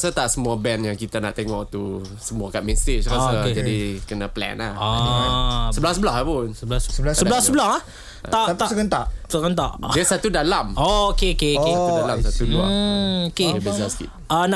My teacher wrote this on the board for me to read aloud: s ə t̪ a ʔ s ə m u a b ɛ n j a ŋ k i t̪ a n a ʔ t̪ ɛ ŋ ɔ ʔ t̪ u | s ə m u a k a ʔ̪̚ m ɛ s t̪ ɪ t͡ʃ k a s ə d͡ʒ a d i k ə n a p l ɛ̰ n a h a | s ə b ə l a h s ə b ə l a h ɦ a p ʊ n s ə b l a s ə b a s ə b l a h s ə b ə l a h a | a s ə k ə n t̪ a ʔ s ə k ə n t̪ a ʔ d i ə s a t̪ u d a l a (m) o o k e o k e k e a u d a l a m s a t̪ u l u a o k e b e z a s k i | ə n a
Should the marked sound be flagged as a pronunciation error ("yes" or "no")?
no